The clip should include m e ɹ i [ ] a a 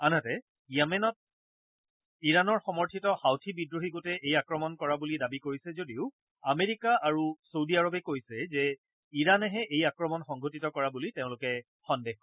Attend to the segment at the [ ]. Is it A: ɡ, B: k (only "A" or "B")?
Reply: B